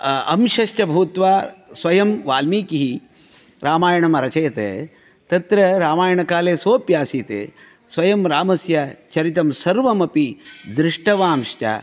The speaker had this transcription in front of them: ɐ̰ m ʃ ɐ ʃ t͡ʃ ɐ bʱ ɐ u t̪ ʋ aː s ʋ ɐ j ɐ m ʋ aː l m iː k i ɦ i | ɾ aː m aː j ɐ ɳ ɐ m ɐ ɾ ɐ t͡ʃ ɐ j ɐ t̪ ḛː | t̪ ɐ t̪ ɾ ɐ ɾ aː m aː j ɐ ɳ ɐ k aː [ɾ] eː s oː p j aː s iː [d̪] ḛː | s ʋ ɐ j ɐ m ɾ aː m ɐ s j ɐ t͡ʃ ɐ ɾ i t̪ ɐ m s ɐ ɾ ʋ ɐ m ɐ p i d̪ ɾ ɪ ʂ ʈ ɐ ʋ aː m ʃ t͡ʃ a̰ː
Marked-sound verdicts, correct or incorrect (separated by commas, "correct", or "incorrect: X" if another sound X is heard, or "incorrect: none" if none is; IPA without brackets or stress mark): incorrect: l, incorrect: t̪